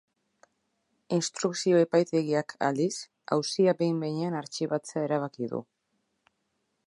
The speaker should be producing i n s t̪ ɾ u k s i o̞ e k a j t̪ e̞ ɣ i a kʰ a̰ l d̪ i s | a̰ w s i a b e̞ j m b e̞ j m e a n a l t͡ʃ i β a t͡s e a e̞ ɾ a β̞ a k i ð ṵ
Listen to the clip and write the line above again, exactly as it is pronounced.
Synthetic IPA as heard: i n s t̪ ɾ u k s i o̞ e p a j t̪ e̞ ɣ i a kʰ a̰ l d̪ i s | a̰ w s i a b e̞ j m b e̞ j ɲ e a n a ɾ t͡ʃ i β a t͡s e a e̞ ɾ a β̞ a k i ð ṵ